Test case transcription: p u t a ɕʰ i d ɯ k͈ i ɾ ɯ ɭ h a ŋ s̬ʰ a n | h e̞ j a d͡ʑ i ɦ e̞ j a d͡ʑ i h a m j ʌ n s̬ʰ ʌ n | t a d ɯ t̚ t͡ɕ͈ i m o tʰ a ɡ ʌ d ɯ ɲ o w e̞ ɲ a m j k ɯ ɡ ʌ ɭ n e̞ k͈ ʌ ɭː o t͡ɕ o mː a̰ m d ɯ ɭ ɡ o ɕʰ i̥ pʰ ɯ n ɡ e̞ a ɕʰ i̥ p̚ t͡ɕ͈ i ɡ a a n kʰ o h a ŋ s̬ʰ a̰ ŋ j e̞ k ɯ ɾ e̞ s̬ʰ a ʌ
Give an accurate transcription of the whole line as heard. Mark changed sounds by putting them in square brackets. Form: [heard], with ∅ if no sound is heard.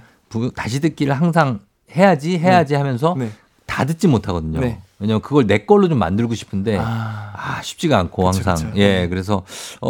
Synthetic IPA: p u t a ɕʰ i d ɯ k͈ i ɾ ɯ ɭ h a ŋ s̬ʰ a [ŋ] | h e̞ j a d͡ʑ i ɦ e̞ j a d͡ʑ i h a m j ʌ n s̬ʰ ʌ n | t a d ɯ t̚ t͡ɕ͈ i m o tʰ a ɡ ʌ d ɯ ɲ o w e̞ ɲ a m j k ɯ ɡ ʌ ɭ n e̞ k͈ ʌ ɭː o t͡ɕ o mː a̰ [n] d ɯ ɭ ɡ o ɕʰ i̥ pʰ ɯ n [d] e̞ a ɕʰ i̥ p̚ t͡ɕ͈ i ɡ a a n kʰ o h a ŋ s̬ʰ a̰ ŋ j e̞ k ɯ ɾ e̞ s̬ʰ [ʌ] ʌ